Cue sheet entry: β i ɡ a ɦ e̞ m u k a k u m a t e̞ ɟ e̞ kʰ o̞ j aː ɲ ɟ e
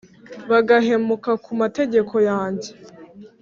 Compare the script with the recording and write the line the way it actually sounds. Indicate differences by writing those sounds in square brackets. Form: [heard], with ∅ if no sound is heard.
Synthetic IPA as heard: β [a] ɡ a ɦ e̞ m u k a k u m a t e̞ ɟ e̞ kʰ o̞ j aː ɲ ɟ e